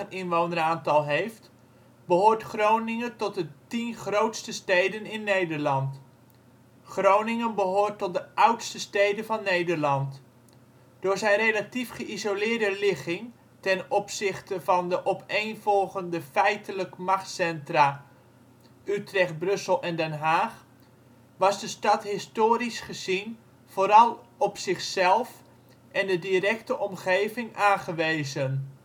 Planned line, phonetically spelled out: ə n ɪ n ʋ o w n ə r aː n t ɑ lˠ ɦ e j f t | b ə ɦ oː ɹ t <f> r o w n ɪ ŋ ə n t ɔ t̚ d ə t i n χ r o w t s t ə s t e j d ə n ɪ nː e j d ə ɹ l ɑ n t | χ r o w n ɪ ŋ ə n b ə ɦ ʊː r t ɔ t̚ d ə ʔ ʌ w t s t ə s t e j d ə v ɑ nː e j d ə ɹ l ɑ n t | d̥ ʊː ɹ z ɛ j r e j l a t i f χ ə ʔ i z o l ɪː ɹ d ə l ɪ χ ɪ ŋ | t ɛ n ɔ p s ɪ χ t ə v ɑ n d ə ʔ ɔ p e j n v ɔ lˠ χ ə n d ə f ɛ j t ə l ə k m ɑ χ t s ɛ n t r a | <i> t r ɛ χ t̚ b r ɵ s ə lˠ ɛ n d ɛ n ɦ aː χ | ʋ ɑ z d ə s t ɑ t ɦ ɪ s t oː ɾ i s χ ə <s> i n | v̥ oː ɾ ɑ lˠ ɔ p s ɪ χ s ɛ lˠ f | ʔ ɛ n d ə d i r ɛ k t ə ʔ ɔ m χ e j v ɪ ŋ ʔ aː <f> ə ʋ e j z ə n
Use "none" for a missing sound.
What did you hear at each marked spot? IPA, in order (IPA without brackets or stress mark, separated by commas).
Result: χ, y, z, χ